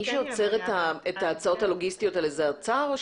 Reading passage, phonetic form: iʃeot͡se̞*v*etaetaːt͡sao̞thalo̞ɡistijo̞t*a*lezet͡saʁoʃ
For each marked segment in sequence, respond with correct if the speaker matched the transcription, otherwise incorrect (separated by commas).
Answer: incorrect, correct